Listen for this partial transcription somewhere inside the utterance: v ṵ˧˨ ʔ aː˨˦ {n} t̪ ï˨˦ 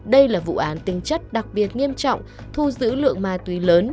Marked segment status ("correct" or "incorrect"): correct